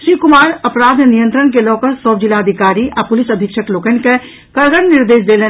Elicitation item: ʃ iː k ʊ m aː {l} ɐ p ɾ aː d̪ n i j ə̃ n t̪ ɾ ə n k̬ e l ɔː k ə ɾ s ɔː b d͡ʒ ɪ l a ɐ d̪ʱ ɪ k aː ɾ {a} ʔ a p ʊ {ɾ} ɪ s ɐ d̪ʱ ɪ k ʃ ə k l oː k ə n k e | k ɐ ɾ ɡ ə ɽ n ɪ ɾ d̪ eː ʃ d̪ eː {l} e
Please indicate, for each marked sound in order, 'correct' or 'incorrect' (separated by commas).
incorrect, incorrect, incorrect, correct